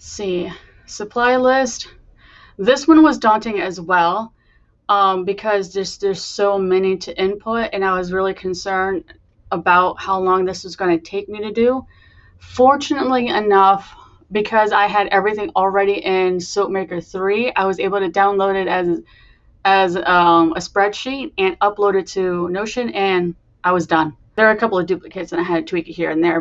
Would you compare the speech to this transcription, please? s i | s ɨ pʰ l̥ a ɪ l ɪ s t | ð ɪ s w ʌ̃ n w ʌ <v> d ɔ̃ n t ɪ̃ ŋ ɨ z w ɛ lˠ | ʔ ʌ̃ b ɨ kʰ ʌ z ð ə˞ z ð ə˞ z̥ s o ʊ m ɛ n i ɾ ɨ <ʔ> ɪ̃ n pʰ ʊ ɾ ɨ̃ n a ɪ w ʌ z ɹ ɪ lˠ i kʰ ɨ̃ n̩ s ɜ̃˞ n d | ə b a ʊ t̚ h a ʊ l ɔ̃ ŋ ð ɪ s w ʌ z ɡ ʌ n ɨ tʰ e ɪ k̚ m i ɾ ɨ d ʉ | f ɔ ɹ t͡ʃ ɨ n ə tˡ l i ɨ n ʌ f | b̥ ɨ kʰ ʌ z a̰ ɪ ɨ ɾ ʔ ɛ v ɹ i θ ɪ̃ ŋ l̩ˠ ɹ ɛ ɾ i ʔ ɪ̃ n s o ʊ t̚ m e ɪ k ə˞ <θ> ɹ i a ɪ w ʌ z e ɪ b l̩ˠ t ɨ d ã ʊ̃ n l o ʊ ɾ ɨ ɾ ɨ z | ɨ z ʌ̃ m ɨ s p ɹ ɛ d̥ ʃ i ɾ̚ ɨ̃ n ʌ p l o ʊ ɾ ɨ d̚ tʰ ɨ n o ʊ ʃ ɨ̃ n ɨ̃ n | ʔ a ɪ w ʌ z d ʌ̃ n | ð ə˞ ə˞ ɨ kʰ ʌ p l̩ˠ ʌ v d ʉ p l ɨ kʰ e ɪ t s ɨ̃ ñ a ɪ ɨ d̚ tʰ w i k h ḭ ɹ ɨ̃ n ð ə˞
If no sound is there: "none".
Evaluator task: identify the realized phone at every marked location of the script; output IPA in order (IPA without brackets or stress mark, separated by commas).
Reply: z, ʔ, θ